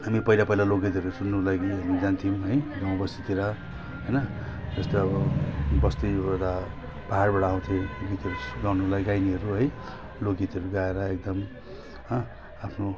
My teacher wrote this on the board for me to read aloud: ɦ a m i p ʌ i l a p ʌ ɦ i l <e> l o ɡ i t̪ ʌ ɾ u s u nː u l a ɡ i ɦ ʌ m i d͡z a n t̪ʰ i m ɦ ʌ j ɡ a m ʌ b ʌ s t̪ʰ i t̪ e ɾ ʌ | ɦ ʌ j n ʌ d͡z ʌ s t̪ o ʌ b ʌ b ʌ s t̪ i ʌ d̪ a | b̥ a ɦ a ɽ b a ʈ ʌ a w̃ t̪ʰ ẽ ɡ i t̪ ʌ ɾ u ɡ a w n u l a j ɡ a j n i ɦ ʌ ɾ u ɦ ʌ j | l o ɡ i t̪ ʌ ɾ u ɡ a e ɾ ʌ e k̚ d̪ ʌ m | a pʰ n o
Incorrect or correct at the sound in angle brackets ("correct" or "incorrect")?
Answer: incorrect